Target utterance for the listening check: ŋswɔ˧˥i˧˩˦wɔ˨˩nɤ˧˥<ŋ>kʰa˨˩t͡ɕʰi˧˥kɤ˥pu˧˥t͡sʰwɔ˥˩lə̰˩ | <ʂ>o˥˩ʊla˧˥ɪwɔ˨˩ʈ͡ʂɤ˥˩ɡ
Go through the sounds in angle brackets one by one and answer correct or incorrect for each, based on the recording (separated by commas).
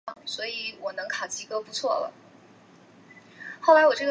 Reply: correct, incorrect